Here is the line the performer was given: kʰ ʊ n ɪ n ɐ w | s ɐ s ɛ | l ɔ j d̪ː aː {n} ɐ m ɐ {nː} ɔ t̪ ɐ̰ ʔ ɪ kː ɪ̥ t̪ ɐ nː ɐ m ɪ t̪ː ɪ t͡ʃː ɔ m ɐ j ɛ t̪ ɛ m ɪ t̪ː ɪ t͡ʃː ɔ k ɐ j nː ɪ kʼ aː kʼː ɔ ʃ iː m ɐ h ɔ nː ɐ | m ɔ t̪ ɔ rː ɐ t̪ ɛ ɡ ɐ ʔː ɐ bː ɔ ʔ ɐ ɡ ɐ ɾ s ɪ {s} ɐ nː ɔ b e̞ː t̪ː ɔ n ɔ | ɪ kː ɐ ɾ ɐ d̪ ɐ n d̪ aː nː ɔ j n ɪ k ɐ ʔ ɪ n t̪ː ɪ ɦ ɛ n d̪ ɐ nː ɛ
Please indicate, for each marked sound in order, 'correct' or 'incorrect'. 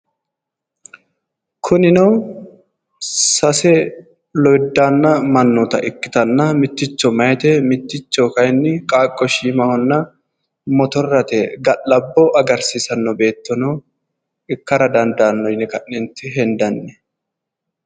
incorrect: nː, correct, correct

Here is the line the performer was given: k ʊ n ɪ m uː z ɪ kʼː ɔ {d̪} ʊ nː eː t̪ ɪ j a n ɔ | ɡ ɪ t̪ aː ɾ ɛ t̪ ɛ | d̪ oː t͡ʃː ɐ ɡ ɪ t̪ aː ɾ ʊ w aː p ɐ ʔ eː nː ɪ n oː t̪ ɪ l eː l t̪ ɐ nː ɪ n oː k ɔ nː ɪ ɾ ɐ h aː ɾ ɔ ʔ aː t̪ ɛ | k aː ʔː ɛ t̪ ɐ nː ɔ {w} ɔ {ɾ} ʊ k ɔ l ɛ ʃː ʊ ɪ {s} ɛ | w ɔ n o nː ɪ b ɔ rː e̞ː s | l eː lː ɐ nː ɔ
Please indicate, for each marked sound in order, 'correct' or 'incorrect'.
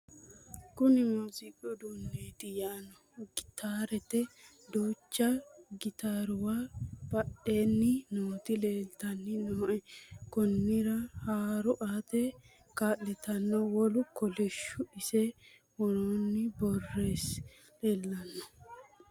correct, correct, incorrect: l, correct

